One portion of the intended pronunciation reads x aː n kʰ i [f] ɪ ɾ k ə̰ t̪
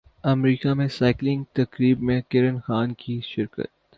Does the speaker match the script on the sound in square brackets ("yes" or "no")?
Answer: no